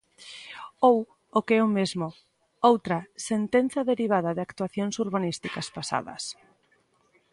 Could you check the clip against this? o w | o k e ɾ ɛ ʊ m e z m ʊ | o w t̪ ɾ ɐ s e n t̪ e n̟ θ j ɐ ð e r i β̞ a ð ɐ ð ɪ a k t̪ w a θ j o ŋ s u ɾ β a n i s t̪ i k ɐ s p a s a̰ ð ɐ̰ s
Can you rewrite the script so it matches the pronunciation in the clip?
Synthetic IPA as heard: o w | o k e ɛ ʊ m e z m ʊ | o w t̪ ɾ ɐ s e n t̪ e n̟ θ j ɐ ð e ɾ i β̞ a ð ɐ ð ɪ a k t̪ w a θ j o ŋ s u ɾ β a n i s t̪ i k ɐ s p a s a̰ ð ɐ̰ s